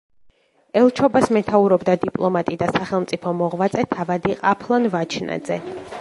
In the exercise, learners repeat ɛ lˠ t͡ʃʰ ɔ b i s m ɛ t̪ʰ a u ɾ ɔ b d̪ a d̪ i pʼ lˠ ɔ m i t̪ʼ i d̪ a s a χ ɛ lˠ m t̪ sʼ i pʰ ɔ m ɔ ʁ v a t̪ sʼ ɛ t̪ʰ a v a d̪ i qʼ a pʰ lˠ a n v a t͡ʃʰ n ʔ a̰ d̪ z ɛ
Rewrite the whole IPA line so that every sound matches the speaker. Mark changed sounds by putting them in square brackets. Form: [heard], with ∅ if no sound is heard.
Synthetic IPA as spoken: ɛ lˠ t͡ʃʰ ɔ b [a] s m ɛ t̪ʰ a u ɾ ɔ b d̪ a d̪ i pʼ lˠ ɔ m [a] t̪ʼ i d̪ a s a χ ɛ lˠ m t̪ sʼ i pʰ ɔ m ɔ ʁ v a t̪ sʼ ɛ t̪ʰ a v a d̪ i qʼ a pʰ lˠ a n v a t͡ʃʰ n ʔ a̰ d̪ z ɛ